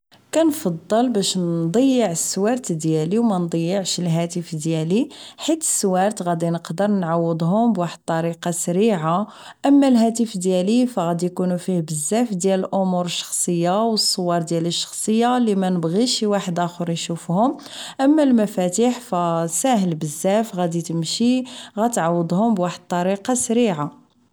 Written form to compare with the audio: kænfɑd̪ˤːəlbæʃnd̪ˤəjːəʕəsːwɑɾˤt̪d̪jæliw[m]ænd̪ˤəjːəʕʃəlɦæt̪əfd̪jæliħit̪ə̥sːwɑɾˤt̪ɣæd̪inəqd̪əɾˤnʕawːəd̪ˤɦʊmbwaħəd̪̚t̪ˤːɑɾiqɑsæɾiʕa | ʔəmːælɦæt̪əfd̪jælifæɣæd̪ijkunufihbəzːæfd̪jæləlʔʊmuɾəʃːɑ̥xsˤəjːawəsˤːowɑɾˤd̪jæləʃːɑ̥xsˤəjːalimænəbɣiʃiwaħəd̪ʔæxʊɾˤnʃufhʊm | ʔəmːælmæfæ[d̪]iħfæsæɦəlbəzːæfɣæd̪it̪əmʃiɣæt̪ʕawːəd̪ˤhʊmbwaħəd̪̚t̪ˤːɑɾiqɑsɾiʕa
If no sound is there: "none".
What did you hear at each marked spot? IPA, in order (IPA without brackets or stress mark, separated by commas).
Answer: m, t̪